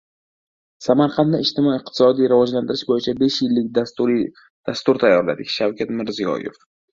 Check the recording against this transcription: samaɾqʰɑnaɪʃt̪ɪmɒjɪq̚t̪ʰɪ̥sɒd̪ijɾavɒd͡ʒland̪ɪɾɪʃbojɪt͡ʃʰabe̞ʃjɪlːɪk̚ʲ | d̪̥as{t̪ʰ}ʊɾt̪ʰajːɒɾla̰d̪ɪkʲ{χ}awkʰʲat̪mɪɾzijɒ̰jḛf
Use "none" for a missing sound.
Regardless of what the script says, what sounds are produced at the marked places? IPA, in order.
t̪, ʃ

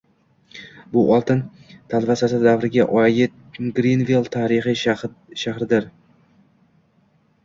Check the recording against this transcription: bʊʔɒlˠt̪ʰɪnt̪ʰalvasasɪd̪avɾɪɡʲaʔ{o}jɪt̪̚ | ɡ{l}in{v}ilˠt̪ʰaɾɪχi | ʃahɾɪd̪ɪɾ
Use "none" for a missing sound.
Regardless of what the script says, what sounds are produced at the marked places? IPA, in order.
ɒ, ɾ, v

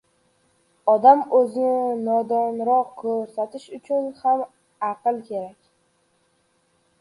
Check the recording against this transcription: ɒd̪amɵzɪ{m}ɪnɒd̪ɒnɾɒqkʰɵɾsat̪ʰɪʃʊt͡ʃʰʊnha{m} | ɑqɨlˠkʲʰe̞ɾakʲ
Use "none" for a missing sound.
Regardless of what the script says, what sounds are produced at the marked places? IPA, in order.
n, m

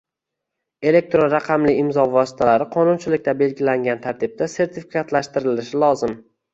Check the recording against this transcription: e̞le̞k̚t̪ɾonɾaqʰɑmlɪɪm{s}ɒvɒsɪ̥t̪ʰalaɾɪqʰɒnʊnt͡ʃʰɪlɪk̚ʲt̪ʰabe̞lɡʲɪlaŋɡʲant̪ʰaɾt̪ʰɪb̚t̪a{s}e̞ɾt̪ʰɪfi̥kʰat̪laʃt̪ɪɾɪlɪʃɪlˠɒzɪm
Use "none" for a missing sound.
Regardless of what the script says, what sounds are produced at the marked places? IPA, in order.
z, s

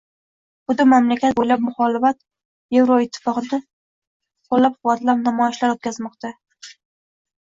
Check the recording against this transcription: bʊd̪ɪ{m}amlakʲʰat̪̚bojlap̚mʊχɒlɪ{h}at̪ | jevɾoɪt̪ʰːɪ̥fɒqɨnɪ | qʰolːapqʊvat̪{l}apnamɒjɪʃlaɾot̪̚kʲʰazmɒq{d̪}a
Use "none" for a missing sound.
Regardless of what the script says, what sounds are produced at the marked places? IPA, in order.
m, f, l, t̪

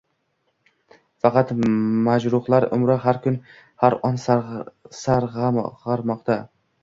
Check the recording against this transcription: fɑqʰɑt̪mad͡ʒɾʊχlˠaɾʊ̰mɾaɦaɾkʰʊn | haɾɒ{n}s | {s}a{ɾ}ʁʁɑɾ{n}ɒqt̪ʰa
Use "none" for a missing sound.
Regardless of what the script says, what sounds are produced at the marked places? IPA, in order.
n, s, ɾ, m

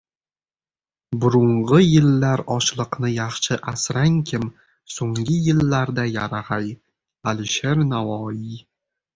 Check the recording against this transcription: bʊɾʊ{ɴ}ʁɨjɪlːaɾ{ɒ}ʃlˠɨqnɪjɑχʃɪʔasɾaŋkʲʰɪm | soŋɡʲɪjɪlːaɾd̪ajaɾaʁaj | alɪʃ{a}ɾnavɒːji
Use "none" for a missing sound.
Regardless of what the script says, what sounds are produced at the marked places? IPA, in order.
ɴ, ɒ, e

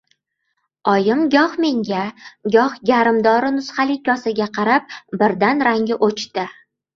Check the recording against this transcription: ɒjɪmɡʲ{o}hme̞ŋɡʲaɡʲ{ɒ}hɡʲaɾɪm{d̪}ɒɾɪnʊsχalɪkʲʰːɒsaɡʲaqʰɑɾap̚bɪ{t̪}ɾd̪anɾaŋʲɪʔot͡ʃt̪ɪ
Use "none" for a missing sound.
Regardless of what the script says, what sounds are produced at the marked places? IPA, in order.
ɒ, ɒ, d̪, none

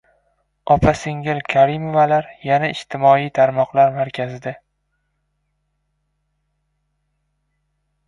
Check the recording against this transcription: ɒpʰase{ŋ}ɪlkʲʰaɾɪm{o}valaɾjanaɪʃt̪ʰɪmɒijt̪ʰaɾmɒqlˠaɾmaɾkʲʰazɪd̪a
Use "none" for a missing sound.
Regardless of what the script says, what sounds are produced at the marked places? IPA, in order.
ŋ, o

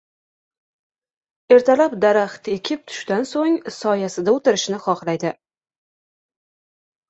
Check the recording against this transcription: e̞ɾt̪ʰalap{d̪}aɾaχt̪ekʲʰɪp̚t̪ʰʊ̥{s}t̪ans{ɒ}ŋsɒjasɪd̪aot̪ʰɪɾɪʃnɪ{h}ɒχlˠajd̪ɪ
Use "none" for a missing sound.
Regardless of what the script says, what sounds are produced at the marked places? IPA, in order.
d̪, ʃ, o, χ

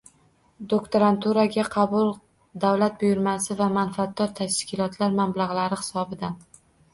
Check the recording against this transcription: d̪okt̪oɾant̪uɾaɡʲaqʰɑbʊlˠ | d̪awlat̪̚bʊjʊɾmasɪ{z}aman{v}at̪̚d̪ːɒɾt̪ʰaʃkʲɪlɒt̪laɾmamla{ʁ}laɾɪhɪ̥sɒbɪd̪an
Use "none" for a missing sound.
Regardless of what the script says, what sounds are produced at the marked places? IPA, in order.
v, f, ʁ

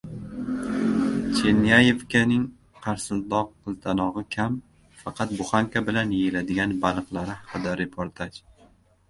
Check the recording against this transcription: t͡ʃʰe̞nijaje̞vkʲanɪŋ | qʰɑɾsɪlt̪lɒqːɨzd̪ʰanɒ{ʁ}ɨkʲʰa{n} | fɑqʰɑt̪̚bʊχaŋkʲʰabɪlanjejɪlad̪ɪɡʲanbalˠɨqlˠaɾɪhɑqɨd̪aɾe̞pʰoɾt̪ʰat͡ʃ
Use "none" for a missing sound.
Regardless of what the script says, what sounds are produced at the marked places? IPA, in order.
ʁ, m

